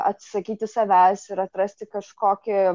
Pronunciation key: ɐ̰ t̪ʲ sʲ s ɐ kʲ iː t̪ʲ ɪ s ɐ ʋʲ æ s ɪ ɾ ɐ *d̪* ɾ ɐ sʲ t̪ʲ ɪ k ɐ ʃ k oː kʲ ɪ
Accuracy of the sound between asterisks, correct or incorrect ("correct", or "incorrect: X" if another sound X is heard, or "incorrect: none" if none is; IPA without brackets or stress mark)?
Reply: incorrect: t̪